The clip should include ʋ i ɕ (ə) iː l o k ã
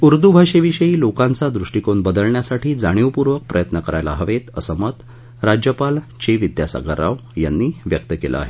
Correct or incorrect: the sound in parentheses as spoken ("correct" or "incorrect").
correct